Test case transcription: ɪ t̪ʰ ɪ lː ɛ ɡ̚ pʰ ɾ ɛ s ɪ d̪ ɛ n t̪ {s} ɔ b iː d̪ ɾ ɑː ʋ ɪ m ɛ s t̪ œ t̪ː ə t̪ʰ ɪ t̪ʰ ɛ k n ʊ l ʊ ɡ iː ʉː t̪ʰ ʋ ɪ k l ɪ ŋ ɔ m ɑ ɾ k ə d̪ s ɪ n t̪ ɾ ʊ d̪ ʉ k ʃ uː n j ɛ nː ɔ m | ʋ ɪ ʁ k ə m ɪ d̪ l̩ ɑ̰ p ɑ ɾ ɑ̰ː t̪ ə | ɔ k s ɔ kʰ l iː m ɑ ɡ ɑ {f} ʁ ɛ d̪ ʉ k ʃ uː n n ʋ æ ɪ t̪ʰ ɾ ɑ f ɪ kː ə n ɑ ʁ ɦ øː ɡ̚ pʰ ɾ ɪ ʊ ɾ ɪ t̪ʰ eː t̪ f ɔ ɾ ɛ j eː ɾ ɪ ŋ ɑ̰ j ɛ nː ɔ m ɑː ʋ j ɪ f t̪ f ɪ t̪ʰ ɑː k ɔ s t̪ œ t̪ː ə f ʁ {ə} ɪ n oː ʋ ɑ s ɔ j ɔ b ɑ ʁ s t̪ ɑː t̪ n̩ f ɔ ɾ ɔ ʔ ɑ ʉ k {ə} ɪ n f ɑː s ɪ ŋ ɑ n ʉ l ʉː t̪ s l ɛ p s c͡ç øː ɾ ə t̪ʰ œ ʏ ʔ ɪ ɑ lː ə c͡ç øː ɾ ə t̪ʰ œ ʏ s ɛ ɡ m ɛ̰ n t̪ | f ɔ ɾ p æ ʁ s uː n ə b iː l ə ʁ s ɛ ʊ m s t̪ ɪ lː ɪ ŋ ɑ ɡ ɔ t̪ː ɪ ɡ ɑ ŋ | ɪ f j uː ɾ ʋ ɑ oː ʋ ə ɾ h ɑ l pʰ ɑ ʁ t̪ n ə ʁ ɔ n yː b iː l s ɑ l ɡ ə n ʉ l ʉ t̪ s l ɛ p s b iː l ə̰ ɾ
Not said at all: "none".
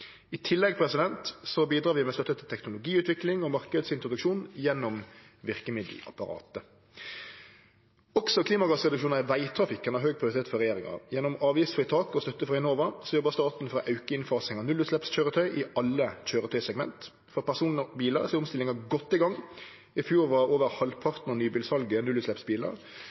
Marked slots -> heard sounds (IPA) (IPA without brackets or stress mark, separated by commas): s, s, ɑ, ə